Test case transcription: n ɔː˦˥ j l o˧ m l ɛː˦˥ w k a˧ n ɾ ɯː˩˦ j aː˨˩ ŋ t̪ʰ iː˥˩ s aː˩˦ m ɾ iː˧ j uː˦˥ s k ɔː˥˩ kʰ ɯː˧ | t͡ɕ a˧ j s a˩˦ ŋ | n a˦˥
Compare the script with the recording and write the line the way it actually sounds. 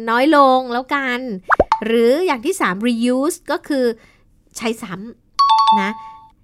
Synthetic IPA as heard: n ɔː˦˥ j l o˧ ŋ l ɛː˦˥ w k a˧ n ɾ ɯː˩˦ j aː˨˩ ŋ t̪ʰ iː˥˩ s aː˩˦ m ɾ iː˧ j uː˦˥ s k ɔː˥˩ kʰ ɯː˧ | t͡ɕʰ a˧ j s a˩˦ m | n a˦˥